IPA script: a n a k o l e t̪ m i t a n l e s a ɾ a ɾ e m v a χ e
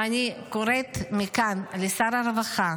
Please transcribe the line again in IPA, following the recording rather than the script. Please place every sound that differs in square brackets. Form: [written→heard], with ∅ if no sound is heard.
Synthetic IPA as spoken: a n [a→i] k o [l→ɾ] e t̪ m i [t→k] a n l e s a ɾ a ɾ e [m→∅] v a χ [e→a]